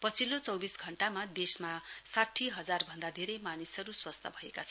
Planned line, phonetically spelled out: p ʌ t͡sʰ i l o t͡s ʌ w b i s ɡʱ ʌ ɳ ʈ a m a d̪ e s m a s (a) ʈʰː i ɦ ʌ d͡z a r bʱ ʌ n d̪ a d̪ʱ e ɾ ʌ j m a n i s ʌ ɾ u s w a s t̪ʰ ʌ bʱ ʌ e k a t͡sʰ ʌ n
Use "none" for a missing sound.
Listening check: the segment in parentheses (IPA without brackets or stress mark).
a